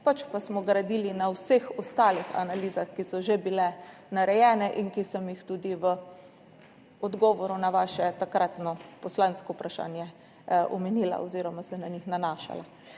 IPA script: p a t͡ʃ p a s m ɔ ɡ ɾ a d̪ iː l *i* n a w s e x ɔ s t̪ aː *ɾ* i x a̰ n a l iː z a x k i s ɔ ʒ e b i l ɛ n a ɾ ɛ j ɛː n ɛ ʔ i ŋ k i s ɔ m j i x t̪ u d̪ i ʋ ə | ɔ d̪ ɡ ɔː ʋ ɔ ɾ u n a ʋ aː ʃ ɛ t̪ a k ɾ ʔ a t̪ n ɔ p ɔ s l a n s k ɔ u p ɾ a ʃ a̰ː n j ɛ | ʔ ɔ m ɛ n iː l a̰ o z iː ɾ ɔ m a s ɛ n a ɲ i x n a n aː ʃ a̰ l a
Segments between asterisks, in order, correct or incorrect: correct, incorrect

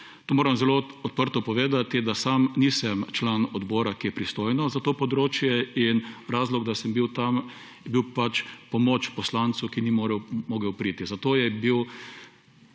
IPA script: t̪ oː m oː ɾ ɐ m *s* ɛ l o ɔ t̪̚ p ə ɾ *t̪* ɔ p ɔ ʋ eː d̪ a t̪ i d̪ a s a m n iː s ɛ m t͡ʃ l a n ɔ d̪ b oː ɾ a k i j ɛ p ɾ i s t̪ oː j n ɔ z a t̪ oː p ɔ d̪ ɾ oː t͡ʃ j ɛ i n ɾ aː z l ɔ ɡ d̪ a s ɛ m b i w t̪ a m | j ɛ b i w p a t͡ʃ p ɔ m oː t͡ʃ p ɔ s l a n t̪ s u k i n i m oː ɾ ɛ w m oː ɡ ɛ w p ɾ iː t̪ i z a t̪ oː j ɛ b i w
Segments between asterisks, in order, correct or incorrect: incorrect, correct

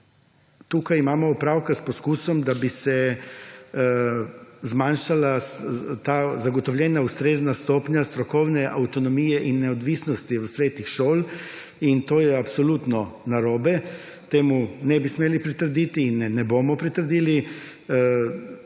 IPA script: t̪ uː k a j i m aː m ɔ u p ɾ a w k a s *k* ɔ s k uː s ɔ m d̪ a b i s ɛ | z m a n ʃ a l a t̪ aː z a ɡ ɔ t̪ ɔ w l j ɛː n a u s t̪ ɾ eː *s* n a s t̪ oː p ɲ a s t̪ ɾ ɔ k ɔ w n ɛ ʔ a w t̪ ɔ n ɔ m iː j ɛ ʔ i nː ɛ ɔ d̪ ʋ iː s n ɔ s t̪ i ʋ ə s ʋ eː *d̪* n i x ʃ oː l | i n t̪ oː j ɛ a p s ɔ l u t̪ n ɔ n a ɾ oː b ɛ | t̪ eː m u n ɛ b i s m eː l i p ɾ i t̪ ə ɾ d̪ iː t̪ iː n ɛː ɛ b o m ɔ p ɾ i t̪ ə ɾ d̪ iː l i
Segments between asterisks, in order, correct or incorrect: incorrect, incorrect, incorrect

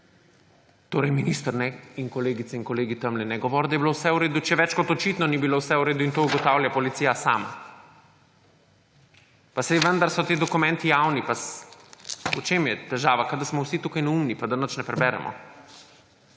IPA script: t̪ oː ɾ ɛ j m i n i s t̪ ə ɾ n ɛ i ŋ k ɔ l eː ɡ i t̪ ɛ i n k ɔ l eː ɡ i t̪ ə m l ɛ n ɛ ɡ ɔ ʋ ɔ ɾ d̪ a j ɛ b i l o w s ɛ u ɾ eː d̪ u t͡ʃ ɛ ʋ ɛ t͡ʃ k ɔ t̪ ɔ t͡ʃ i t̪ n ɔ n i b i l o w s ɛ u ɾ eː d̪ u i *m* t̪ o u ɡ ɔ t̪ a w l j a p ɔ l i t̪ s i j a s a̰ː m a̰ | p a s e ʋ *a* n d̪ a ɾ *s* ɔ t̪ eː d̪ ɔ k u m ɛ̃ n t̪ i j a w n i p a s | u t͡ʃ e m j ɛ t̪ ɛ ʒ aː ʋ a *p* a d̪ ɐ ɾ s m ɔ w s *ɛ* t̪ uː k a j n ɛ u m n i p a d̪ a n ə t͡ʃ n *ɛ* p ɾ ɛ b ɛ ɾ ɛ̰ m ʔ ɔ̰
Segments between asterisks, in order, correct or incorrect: incorrect, incorrect, correct, incorrect, incorrect, correct

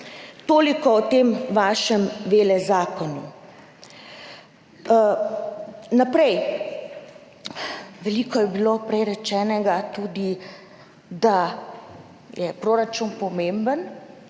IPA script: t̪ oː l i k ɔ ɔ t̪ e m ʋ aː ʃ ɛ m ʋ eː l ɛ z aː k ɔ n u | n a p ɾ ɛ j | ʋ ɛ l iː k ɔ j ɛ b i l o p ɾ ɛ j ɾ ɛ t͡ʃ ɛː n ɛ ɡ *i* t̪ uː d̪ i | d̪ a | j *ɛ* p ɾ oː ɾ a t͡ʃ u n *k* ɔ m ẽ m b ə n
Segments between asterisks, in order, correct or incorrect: incorrect, correct, incorrect

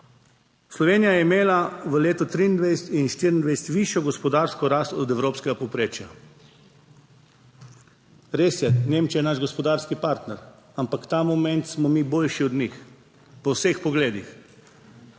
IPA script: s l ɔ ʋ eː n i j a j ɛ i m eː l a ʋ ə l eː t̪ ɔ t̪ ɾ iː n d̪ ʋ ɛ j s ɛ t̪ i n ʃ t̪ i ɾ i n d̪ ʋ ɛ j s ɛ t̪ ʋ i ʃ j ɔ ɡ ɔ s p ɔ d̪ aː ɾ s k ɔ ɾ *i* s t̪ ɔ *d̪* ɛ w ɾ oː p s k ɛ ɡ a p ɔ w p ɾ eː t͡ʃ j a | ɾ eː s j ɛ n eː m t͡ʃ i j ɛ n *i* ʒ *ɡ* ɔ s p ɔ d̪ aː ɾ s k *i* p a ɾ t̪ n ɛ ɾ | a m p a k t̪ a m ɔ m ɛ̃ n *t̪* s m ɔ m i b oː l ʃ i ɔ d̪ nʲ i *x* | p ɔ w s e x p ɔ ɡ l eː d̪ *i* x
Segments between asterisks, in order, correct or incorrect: incorrect, correct, incorrect, correct, correct, correct, correct, correct

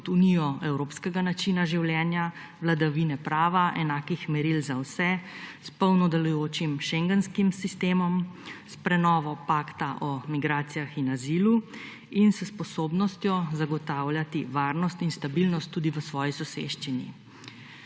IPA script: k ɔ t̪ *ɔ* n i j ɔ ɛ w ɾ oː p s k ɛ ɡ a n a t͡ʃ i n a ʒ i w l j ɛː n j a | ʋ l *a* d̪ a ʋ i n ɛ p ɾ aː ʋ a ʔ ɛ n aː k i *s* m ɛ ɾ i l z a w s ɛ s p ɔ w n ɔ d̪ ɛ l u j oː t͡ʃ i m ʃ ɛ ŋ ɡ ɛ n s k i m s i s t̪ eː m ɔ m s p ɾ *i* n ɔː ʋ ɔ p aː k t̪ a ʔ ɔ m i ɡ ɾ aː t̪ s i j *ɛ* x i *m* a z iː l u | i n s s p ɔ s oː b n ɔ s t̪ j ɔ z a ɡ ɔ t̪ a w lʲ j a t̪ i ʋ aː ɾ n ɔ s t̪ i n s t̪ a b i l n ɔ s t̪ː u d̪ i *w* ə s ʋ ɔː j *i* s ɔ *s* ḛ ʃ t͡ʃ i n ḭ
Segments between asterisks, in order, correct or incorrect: incorrect, correct, incorrect, incorrect, incorrect, incorrect, incorrect, correct, correct

